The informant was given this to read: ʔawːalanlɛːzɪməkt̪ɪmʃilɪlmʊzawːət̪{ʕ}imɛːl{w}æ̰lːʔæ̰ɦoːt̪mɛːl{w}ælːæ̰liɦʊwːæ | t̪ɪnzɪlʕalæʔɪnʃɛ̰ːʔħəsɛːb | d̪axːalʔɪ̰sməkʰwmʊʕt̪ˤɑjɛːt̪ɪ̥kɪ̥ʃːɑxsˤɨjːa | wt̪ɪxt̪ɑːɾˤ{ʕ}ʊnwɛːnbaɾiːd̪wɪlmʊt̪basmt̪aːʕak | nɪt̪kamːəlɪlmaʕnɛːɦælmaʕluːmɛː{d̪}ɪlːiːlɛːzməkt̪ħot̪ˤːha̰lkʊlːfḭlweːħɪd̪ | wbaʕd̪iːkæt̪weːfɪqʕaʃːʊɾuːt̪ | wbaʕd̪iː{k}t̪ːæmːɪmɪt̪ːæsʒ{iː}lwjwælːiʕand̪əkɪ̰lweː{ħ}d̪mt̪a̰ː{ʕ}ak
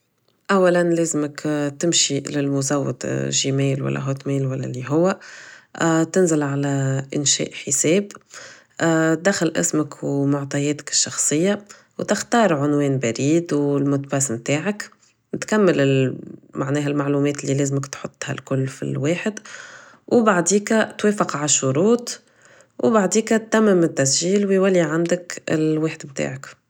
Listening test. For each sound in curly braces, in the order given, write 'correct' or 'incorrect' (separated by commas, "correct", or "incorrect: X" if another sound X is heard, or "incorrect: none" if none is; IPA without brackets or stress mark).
incorrect: ʒ, correct, correct, correct, incorrect: t̪, correct, correct, correct, correct